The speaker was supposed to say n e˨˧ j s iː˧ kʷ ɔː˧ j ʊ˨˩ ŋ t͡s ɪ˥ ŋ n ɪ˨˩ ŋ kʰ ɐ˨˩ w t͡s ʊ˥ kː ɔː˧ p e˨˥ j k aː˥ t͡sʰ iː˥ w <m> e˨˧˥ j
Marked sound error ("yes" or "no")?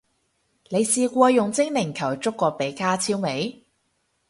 no